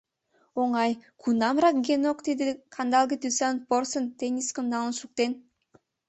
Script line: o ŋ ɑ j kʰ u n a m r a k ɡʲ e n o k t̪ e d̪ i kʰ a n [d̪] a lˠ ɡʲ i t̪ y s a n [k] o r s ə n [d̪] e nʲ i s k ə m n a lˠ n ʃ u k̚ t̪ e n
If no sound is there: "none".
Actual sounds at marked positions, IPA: d̪, p, t̪

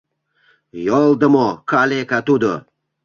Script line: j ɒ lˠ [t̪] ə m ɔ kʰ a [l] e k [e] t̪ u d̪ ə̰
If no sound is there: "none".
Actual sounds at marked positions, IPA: d̪, l, a

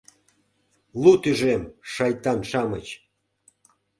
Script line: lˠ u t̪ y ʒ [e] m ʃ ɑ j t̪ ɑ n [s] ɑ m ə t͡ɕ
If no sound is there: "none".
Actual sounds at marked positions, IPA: e, ʃ

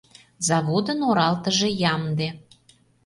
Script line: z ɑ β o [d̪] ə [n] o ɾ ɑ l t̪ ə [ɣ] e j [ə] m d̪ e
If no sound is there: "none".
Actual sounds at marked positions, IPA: d̪, n, ʒ, ɑ

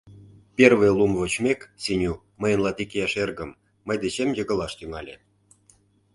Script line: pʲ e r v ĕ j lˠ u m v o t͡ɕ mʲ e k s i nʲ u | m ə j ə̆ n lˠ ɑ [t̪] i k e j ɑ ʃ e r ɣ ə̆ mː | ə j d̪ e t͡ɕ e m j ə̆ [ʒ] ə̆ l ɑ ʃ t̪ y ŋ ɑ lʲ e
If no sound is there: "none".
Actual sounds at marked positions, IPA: t̪, ɣ

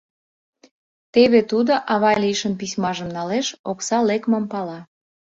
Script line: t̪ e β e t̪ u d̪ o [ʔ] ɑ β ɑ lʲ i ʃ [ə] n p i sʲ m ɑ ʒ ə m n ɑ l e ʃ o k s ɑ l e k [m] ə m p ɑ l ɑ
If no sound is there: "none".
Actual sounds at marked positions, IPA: ʔ, ə, m

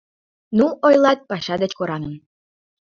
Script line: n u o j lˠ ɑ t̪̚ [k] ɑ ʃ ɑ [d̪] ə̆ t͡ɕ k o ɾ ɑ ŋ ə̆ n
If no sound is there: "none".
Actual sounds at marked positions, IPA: p, d̪

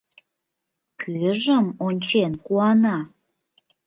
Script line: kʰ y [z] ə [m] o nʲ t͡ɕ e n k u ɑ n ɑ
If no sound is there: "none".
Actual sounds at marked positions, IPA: ʒ, m

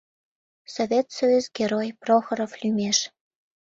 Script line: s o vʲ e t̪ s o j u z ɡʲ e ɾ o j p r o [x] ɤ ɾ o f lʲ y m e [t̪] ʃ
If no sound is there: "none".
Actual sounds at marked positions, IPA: x, none

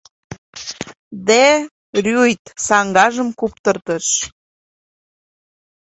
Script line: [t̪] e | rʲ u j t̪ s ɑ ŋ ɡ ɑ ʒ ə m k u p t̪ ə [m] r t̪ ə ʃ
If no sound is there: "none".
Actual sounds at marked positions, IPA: d̪, none

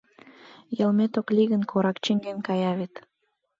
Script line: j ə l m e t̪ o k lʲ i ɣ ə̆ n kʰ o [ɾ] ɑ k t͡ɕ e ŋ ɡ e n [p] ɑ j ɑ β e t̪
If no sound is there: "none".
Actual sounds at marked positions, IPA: ɾ, k

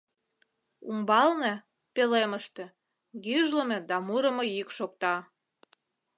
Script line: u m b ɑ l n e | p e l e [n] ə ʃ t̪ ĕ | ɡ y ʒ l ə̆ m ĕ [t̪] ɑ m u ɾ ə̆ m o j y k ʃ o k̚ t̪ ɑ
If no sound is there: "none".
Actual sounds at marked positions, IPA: m, d̪

